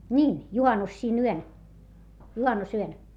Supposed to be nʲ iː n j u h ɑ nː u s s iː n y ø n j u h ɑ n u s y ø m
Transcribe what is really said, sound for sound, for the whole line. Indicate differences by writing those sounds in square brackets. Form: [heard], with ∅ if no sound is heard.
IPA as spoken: nʲ iː n j u h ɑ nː u s s iː n y ø n j u h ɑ [nː] u s y ø [n]